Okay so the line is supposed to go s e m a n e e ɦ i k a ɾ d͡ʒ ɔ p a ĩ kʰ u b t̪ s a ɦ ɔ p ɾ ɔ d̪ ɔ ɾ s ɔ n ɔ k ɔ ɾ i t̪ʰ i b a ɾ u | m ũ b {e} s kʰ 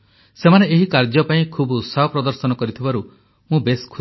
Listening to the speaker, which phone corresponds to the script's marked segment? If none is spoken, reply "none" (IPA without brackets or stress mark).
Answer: e